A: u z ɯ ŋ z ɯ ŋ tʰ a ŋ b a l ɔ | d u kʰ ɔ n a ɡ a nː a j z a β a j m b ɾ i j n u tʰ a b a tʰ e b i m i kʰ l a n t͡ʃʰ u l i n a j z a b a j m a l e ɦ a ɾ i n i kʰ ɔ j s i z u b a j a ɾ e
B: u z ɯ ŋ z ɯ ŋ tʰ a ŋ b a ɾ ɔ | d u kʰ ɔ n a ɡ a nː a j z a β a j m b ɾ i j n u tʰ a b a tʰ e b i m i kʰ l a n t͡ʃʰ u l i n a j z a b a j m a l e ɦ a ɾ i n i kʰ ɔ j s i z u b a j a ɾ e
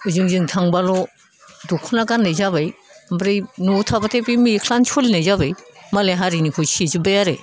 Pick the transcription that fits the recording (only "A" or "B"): A